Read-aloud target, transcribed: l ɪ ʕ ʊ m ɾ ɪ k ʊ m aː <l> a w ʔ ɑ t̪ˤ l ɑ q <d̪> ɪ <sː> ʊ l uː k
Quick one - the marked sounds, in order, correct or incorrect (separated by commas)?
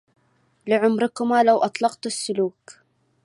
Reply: correct, incorrect, correct